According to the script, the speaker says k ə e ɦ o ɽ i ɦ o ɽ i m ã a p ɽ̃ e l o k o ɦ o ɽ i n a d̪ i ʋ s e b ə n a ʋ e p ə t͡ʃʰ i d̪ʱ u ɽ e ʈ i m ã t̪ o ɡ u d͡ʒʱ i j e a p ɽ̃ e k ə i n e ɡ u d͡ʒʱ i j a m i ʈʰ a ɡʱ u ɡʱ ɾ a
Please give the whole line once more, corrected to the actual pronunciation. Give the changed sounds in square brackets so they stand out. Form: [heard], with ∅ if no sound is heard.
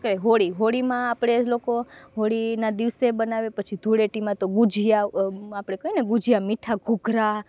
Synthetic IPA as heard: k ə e ɦ o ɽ i ɦ o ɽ i m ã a p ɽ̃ e l o k o ɦ o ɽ i n a d̪ i ʋ s e b ə n a ʋ e p ə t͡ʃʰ i d̪ʱ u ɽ e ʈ i m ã t̪ o ɡ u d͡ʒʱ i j [a] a p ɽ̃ e k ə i n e ɡ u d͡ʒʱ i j a m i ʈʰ a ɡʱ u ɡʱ ɾ a